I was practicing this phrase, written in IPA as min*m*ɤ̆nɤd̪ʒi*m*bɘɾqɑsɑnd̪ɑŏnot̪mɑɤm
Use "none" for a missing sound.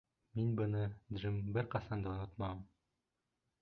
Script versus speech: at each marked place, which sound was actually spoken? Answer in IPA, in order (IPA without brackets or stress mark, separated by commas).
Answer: b, m